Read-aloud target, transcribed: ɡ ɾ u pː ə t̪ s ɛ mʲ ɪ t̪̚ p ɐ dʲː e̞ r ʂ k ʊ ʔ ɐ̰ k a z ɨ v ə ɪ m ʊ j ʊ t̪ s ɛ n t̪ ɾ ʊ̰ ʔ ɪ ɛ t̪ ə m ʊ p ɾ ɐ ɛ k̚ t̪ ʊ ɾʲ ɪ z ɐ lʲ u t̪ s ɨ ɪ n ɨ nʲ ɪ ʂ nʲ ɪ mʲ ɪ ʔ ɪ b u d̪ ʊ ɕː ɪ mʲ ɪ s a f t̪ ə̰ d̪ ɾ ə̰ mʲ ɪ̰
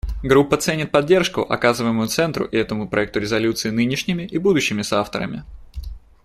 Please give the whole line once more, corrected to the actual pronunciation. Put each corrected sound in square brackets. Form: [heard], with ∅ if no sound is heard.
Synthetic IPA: ɡ ɾ u pː ə t̪ s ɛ [nʲ] ɪ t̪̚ p ɐ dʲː e̞ r ʂ k ʊ ʔ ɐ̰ k a z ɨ v ə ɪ m ʊ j ʊ t̪ s ɛ n t̪ ɾ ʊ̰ ʔ ɪ ɛ t̪ ə m ʊ p ɾ ɐ ɛ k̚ t̪ ʊ ɾʲ ɪ z ɐ lʲ u t̪ s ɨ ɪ n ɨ nʲ ɪ ʂ nʲ ɪ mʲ ɪ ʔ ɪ b u d̪ ʊ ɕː ɪ mʲ ɪ s a f t̪ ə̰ [∅] ɾ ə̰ mʲ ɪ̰